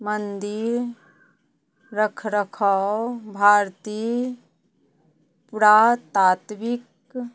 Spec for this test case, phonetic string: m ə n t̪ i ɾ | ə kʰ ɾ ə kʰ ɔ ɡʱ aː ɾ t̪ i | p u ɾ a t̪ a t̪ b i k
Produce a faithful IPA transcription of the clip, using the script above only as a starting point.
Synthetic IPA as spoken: m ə n d̪ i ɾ | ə kʰ ɾ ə kʰ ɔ bʱ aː ɾ t̪ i | p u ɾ a t̪ a t̪ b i k